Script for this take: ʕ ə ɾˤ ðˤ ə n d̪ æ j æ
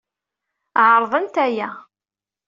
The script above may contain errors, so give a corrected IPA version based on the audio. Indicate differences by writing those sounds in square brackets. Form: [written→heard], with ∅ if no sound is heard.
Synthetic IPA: ʕ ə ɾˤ ðˤ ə n [d̪→t̪] æ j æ